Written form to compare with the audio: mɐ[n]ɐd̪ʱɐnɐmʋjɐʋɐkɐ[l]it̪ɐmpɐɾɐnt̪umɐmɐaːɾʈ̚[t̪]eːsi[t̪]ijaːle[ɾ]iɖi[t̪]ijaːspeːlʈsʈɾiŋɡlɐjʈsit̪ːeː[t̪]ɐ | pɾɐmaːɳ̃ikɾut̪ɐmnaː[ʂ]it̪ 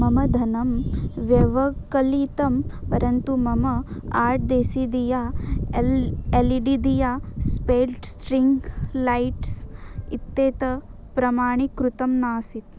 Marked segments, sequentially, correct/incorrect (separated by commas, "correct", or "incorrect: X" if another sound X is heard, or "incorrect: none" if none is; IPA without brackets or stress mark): incorrect: m, correct, incorrect: d̪, incorrect: d̪, incorrect: l, incorrect: d̪, correct, incorrect: s